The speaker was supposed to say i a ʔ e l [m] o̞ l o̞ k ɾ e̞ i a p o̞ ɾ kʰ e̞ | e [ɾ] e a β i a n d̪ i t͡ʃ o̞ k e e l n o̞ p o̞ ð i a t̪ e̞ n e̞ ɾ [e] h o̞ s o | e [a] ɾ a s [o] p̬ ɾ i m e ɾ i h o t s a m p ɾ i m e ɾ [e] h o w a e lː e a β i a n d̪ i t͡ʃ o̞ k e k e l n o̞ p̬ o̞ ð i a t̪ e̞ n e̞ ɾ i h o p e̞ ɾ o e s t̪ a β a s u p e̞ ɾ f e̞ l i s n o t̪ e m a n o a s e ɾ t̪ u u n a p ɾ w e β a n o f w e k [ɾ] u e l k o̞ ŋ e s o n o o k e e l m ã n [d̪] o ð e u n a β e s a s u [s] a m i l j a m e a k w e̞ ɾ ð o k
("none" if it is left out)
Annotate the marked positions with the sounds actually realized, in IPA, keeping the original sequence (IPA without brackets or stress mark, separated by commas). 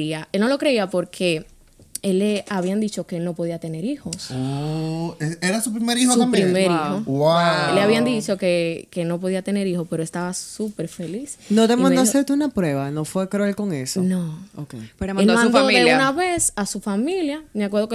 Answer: n, l, i, e, u, i, ɾ, d̪, f